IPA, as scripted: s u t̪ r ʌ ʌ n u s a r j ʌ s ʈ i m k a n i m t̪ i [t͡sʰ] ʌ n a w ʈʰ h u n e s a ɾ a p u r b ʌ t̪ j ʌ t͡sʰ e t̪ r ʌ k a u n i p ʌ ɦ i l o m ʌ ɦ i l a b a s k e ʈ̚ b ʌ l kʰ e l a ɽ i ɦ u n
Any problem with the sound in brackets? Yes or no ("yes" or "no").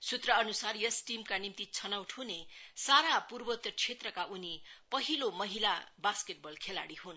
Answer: no